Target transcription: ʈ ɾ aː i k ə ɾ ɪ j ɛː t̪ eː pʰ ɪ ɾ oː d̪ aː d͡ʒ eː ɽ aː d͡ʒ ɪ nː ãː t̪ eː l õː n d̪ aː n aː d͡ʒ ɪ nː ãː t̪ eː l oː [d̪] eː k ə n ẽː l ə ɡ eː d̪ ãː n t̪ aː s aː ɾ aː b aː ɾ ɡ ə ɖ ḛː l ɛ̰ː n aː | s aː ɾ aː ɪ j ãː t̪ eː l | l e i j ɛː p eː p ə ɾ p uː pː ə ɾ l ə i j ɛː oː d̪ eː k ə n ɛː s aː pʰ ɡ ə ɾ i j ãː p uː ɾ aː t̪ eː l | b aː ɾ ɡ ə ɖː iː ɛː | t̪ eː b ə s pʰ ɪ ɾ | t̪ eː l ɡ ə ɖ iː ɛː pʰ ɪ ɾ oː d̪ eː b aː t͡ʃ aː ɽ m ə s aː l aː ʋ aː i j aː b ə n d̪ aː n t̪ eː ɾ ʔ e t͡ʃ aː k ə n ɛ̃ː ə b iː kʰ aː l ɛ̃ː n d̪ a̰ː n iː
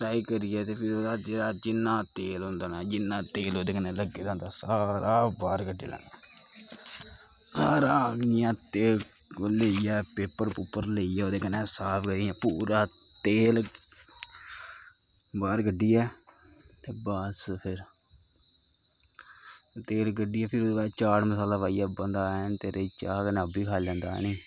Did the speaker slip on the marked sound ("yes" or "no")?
no